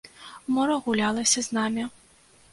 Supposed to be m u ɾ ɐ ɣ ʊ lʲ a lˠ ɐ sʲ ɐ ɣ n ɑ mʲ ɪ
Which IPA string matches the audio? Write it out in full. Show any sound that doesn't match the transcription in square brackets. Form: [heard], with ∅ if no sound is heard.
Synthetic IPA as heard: m [ɔ] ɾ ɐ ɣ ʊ lʲ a lˠ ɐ sʲ ɐ [z] n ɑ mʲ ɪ